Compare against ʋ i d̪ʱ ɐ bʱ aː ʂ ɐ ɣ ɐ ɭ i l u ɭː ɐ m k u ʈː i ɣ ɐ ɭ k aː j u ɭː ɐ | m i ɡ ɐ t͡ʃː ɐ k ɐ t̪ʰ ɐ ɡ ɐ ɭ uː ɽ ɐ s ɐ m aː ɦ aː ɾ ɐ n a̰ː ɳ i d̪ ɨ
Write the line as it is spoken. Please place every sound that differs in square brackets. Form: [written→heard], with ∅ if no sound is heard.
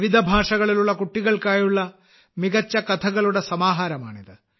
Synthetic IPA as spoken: ʋ i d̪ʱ ɐ bʱ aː ʂ ɐ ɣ ɐ ɭ i l u ɭː ɐ [m→∅] k u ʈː i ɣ ɐ ɭ k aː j u ɭː ɐ | m i ɡ ɐ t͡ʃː ɐ k ɐ t̪ʰ ɐ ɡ ɐ ɭ [uː→u] ɽ ɐ s ɐ m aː ɦ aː ɾ ɐ [n→m] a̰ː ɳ i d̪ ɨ

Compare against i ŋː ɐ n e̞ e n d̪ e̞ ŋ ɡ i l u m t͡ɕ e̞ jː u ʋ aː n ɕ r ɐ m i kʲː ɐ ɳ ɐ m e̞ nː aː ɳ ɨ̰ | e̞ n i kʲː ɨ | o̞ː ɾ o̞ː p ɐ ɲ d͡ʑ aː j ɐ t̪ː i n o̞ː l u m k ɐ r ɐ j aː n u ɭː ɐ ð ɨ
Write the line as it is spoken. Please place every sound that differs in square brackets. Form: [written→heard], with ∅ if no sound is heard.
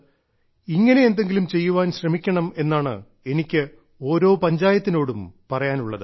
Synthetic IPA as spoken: i ŋː ɐ n e̞ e n d̪ e̞ ŋ ɡ i l u m t͡ɕ e̞ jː u ʋ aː n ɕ r ɐ m i kʲː ɐ ɳ ɐ m e̞ nː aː ɳ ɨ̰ | e̞ n i kʲː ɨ | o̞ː ɾ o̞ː p ɐ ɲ d͡ʑ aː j ɐ t̪ː i n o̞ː [l→ɽ] u m [k→p] ɐ r ɐ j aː n u ɭː ɐ ð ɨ

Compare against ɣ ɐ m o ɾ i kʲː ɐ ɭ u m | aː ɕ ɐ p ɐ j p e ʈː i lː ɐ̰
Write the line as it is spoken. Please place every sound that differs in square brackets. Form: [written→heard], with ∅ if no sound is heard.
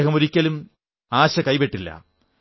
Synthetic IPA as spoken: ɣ ɐ m o ɾ i kʲː ɐ [ɭ→l] u m | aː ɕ ɐ [p→k] ɐ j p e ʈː i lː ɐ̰

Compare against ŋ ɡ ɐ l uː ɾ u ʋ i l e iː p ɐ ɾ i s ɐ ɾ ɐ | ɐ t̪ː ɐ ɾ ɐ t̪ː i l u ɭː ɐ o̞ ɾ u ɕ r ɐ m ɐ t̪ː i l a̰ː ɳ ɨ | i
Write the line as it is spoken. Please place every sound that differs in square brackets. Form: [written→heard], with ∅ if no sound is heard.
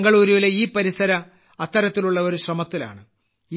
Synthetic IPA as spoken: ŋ ɡ ɐ [l→ɭ] uː ɾ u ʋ i l e iː p ɐ ɾ i s ɐ ɾ ɐ | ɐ t̪ː ɐ ɾ ɐ t̪ː i l u ɭː ɐ o̞ ɾ u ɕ r ɐ m ɐ t̪ː i l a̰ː ɳ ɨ | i

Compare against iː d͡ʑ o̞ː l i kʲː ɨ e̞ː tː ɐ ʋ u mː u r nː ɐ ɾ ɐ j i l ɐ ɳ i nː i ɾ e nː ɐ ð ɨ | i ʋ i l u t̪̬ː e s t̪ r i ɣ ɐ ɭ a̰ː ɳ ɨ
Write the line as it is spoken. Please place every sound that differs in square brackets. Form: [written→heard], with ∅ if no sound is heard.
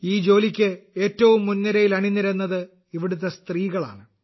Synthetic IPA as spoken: iː d͡ʑ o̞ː l i kʲː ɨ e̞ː tː ɐ ʋ u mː u [r→∅] nː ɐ ɾ ɐ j i l ɐ ɳ i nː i ɾ e nː ɐ ð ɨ | i ʋ i [l→ɽ] u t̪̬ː e s t̪ r [i→iː] ɣ ɐ ɭ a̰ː ɳ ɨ

